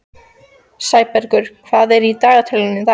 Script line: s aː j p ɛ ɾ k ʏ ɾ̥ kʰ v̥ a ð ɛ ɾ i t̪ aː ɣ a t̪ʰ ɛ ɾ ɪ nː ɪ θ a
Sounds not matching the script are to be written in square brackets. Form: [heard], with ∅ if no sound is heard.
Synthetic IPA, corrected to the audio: s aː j p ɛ ɾ k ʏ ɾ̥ kʰ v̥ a ð ɛ ɾ i t̪ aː ɣ a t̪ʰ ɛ [l] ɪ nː ɪ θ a